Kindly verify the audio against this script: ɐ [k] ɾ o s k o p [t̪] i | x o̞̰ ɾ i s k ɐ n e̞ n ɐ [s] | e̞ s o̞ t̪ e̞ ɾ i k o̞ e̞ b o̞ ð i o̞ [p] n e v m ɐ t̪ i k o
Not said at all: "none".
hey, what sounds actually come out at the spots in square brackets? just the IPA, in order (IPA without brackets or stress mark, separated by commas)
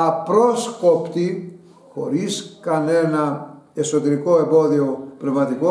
p, t̪, none, p